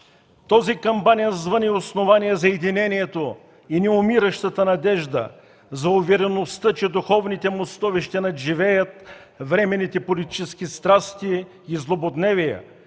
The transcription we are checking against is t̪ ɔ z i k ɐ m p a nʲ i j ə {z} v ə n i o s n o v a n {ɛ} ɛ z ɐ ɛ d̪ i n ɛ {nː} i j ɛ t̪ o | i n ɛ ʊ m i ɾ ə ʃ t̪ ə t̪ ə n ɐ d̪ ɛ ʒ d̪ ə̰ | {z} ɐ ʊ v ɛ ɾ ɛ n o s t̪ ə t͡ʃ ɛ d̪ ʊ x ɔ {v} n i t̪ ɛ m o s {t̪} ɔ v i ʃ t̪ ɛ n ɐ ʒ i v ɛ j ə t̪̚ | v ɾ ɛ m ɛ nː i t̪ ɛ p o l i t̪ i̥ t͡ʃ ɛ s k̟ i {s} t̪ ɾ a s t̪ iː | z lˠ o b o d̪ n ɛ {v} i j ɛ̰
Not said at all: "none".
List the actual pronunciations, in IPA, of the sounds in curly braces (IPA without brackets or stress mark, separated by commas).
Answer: z, i, n, z, v, t̪, s, v